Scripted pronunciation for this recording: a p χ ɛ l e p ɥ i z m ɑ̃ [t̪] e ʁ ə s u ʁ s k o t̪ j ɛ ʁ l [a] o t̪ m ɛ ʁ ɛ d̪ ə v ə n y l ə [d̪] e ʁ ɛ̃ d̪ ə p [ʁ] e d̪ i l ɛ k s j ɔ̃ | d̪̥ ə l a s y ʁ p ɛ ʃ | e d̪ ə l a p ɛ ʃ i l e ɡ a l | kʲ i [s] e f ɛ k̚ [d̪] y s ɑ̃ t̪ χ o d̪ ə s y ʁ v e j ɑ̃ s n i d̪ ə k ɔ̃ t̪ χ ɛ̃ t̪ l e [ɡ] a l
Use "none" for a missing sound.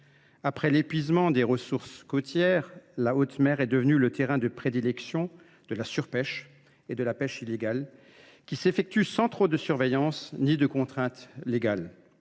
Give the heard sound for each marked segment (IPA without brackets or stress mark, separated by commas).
d̪, a, t̪, χ, s, t̪, ɡ